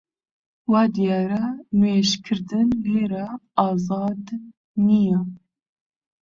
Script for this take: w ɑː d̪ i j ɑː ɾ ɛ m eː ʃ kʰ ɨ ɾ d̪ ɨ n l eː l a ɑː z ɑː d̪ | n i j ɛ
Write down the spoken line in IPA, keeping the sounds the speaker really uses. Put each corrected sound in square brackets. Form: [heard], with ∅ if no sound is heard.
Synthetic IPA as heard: w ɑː d̪ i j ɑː ɾ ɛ m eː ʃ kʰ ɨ ɾ d̪ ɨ n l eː [ɾ] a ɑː z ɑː d̪ | n i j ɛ